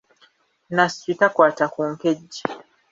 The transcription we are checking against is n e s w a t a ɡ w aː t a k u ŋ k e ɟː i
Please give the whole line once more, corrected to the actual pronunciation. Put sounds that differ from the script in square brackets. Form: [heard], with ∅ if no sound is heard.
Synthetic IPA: n [a] s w [i] t a [k] w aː t a k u ŋ k e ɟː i